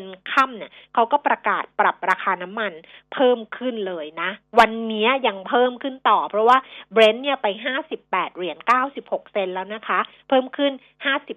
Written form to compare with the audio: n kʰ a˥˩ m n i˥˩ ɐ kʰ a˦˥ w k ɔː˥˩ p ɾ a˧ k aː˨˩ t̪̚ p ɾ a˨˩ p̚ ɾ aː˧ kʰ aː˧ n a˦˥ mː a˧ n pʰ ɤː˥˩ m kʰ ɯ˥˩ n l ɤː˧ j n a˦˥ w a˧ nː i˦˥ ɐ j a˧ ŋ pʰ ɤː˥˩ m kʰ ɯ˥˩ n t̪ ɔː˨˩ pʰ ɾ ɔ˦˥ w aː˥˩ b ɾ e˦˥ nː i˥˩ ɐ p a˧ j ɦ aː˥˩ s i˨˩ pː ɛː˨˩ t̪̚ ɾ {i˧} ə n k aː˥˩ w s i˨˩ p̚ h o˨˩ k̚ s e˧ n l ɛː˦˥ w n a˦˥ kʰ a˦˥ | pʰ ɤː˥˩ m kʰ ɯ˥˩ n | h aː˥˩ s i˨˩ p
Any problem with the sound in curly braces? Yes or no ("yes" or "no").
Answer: yes